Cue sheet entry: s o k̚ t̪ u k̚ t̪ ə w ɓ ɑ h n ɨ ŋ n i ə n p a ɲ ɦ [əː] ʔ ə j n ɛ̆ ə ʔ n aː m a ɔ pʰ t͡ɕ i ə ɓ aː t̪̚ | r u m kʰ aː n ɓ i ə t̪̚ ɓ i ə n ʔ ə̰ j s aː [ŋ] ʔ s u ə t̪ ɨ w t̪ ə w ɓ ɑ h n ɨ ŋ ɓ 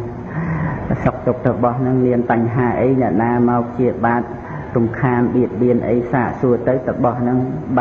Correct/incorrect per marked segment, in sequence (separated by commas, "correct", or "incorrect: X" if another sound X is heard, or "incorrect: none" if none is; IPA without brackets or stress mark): incorrect: aː, incorrect: none